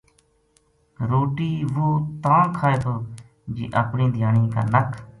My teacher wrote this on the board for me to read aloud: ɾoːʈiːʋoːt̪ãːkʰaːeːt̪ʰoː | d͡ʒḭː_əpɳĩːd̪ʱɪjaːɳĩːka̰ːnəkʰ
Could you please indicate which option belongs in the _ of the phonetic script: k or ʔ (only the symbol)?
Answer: ʔ